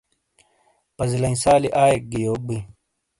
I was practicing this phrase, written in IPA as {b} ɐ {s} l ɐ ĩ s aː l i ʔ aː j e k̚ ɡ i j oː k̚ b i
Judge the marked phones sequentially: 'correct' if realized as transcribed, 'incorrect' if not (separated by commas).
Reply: incorrect, incorrect